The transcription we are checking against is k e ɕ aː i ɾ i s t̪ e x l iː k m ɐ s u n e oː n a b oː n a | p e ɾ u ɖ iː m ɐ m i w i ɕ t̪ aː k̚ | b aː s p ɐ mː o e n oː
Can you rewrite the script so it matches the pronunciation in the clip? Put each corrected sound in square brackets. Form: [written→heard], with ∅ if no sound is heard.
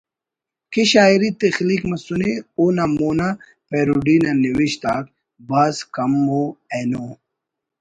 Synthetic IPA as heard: k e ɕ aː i ɾ i [s→∅] t̪ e x l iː k m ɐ s u n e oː n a [b→m] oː n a | p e ɾ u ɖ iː [m→n] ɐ [m→n] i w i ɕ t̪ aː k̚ | b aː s [p→k] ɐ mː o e n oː